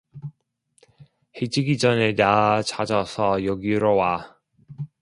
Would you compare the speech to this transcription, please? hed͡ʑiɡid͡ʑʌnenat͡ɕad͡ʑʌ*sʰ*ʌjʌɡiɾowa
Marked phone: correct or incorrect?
correct